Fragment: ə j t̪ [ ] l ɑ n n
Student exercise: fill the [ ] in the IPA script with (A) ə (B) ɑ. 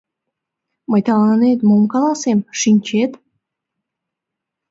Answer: B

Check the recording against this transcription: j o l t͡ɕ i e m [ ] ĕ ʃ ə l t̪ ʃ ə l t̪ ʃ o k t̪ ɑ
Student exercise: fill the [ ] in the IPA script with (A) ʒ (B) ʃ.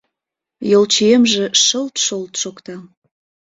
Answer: A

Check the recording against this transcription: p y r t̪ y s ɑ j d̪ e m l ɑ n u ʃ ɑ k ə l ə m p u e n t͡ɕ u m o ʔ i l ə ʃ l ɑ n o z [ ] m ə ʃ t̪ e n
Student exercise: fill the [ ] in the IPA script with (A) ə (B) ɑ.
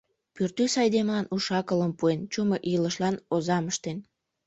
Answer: B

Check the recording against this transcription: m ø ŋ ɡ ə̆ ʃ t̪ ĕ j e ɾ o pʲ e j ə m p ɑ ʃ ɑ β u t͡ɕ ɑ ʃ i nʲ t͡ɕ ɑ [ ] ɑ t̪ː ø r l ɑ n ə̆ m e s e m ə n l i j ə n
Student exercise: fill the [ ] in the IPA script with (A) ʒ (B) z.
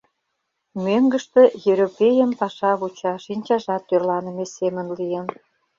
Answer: A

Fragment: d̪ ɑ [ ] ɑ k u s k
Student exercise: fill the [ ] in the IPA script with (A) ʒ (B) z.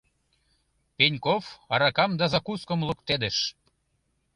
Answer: B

